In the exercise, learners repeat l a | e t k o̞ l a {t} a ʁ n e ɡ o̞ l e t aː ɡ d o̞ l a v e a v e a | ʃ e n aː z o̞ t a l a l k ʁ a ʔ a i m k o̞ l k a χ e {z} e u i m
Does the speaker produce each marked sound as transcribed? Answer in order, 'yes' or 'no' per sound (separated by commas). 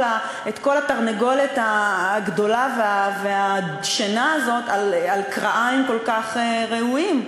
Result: yes, no